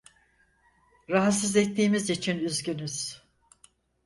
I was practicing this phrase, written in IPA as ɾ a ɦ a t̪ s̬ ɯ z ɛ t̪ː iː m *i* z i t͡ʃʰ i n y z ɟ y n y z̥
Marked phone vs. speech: correct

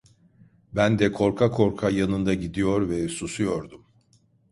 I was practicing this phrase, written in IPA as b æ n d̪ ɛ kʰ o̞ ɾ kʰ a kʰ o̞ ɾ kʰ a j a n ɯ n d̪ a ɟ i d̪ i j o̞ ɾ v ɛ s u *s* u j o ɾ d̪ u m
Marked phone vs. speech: correct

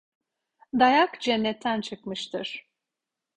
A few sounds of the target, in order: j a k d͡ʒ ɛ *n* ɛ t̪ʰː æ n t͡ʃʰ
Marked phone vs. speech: incorrect: nː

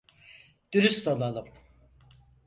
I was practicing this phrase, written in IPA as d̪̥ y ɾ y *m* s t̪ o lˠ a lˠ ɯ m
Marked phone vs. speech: incorrect: none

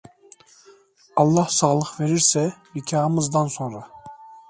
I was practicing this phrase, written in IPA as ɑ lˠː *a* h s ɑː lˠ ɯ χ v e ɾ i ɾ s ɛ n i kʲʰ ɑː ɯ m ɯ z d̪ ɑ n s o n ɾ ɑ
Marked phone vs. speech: incorrect: ɑ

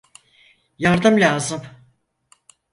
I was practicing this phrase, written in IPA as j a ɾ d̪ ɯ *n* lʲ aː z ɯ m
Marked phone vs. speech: incorrect: m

